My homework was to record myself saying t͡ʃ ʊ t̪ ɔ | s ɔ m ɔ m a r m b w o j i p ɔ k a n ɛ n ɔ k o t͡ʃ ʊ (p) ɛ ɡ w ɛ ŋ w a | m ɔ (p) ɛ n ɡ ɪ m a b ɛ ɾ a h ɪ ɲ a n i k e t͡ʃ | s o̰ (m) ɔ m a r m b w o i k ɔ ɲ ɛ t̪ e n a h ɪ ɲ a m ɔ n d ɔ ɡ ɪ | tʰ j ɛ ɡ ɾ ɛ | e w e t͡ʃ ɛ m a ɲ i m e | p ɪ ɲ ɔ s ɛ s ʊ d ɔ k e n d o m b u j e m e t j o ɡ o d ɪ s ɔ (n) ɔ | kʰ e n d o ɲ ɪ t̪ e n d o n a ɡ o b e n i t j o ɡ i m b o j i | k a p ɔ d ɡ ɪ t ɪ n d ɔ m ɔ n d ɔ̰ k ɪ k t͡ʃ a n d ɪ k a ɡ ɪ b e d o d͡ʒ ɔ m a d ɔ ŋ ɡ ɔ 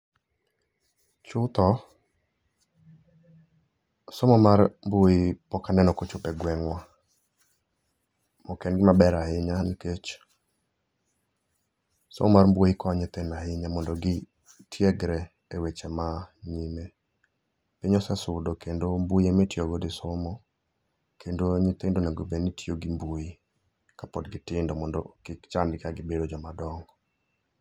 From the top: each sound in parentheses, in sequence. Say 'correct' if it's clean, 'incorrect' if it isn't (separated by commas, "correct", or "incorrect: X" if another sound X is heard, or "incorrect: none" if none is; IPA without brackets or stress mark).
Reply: correct, incorrect: k, correct, incorrect: m